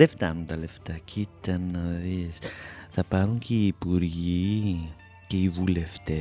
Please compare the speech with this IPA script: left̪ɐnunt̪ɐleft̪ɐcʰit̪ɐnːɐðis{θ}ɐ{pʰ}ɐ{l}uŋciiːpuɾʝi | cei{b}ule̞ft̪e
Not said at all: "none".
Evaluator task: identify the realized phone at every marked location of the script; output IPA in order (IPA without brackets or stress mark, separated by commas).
θ, p, ɾ, v